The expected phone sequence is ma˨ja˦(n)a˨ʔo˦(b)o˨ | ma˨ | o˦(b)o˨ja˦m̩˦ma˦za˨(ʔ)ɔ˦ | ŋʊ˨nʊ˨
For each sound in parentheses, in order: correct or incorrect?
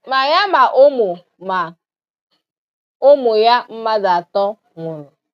incorrect, incorrect, incorrect, incorrect

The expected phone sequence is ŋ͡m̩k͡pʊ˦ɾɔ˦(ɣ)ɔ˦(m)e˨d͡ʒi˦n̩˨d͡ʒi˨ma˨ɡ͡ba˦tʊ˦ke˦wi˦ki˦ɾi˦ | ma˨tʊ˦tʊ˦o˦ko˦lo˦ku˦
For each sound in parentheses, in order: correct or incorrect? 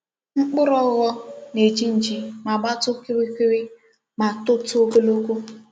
correct, incorrect

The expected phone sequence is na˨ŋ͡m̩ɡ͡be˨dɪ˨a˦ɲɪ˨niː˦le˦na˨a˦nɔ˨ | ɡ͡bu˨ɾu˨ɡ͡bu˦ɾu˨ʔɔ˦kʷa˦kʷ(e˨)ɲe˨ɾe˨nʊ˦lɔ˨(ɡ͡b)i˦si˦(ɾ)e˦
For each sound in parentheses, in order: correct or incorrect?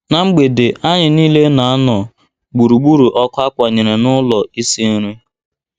incorrect, incorrect, correct

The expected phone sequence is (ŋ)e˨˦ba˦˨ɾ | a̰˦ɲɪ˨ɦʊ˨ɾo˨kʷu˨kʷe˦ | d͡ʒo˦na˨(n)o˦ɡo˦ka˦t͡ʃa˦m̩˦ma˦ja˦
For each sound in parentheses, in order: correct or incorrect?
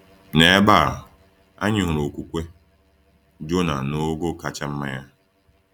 incorrect, correct

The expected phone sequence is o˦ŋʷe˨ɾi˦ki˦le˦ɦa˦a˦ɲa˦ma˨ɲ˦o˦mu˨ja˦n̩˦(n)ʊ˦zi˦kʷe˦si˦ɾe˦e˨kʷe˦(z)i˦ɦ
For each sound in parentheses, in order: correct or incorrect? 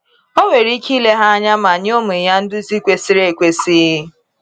incorrect, incorrect

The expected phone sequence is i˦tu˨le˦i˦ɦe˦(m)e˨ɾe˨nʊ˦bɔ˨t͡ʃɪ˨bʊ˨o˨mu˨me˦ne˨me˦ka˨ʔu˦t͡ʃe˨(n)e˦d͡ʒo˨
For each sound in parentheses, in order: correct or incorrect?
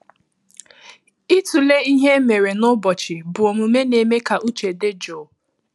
correct, incorrect

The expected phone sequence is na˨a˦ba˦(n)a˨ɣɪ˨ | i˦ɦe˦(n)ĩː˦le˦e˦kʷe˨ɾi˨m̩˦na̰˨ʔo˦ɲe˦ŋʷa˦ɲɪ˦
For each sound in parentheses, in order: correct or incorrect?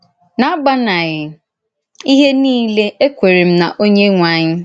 correct, correct

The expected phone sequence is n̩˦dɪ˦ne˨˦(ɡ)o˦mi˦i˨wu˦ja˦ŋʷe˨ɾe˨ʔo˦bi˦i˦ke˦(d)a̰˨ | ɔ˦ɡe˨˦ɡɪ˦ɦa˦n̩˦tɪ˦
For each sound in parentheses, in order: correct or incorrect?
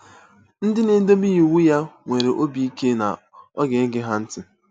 incorrect, incorrect

